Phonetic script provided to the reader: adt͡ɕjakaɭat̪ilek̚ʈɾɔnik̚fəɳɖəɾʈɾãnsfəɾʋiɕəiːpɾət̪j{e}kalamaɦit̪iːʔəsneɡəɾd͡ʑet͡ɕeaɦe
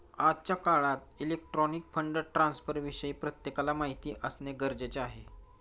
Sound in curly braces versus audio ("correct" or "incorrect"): correct